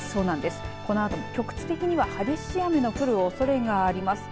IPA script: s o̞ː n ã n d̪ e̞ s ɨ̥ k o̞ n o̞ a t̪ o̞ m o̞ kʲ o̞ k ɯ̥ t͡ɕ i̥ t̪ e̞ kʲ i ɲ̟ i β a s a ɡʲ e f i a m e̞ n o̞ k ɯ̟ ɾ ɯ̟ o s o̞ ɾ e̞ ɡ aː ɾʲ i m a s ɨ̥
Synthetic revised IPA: s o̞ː n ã n d̪ e̞ s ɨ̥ k o̞ n o̞ a t̪ o̞ m o̞ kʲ o̞ k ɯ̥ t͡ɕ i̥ t̪ e̞ kʲ i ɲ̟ i β a h a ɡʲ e ɕ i a m e̞ n o̞ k ɯ̟ ɾ ɯ̟ o s o̞ ɾ e̞ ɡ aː ɾʲ i m a s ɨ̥